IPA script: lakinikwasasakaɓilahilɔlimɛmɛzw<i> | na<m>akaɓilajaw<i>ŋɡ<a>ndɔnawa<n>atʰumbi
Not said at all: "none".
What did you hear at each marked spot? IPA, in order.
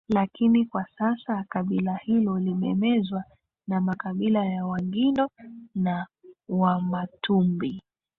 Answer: a, m, a, i, m

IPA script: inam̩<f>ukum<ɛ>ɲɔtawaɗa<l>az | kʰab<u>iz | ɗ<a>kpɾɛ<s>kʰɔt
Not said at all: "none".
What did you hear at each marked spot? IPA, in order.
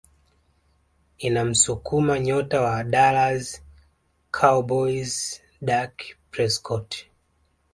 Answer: s, a, l, ɔ, a, s

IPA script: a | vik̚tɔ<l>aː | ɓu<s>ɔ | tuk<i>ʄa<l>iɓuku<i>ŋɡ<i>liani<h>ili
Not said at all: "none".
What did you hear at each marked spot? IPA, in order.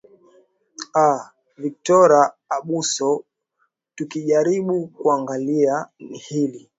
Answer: ɾ, s, i, ɾ, a, a, h

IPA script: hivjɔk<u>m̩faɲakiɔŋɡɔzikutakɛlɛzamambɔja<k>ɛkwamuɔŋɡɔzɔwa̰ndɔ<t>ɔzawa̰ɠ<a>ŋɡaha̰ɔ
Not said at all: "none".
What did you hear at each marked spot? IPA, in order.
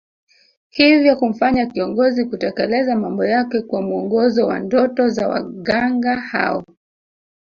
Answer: u, k, t, a

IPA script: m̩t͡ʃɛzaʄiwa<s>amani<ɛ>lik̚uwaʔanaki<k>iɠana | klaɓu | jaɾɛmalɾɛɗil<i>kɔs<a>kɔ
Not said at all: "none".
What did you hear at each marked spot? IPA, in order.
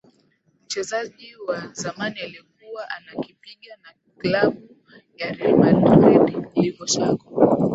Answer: z, a, p, i, a

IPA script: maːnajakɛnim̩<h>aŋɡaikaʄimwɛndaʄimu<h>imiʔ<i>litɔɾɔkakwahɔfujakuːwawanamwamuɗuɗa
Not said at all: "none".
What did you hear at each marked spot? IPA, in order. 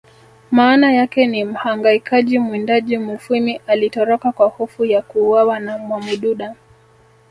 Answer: h, f, a

